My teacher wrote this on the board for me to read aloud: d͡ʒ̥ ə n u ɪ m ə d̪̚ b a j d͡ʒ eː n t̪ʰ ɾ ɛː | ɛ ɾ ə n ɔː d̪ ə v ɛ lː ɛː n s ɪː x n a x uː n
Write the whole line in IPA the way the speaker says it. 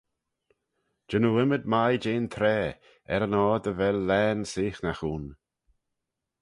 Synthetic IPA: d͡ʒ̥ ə n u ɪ m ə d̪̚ m a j d͡ʒ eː n t̪ʰ ɾ ɛː | ɛ ɾ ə n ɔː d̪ ə v ɛ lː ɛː n s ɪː x n a x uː n

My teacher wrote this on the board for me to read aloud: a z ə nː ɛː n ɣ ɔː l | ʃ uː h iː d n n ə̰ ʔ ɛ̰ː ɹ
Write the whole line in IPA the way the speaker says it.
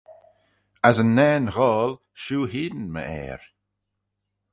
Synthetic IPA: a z ə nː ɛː n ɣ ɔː l | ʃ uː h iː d n m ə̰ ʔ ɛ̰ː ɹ

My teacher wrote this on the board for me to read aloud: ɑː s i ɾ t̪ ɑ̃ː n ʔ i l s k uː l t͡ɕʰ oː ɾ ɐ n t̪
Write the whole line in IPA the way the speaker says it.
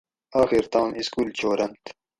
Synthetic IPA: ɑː x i ɾ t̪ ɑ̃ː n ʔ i s k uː l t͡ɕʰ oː ɾ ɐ n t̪

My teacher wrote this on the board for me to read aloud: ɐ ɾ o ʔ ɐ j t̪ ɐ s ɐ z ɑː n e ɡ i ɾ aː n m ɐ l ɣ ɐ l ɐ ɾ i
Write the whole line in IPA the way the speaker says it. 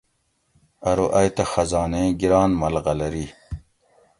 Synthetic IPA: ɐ ɾ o ʔ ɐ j t̪ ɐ x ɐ z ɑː n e ɡ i ɾ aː n m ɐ l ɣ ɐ l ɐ ɾ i

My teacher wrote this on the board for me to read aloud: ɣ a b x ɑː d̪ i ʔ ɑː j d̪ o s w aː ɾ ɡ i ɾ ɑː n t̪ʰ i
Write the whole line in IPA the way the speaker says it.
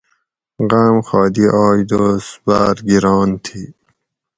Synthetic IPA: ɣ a m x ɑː d̪ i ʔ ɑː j d̪ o s b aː ɾ ɡ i ɾ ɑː n t̪ʰ i

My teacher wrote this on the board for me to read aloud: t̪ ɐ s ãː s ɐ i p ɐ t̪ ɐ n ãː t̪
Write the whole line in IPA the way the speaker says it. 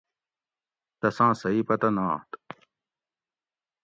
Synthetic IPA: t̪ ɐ s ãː s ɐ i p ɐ t̪ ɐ n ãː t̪

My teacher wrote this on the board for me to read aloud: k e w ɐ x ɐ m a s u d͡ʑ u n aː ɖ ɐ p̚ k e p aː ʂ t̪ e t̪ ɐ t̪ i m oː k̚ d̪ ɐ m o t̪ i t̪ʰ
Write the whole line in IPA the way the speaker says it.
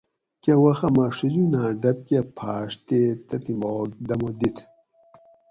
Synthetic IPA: k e w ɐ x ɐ m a ʂ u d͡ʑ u n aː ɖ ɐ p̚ k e pʰ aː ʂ t̪ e t̪ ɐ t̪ i m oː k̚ d̪ ɐ m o d̪ i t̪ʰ

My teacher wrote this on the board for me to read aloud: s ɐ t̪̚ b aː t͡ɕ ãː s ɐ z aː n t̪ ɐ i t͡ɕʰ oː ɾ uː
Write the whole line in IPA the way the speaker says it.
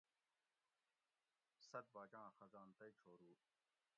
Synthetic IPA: s ɐ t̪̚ b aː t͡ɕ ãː x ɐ z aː n t̪ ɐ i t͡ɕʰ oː ɾ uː

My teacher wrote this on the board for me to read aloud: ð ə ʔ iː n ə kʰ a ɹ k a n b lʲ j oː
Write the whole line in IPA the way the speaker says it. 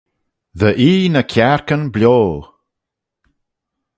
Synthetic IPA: ð ə ʔ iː n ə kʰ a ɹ k ə n b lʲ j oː

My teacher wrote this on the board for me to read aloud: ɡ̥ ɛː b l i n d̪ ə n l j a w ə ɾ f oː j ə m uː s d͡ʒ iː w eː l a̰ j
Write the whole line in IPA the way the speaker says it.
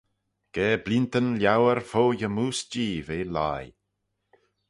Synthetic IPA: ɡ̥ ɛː b l i n t̪ ə n l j a w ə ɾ f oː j ə m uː s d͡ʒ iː v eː l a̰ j

